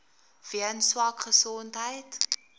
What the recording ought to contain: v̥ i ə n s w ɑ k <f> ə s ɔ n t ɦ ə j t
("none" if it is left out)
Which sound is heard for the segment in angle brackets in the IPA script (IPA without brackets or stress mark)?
χ